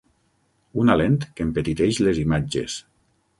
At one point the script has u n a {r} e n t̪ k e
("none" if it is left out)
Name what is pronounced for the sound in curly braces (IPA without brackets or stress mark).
l